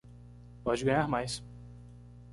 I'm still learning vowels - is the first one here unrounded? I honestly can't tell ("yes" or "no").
no